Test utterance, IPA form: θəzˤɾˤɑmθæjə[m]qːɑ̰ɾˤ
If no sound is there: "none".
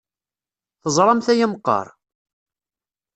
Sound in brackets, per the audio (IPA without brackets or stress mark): m